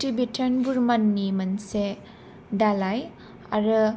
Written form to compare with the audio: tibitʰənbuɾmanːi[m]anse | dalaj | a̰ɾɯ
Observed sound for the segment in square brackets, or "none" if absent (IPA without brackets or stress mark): m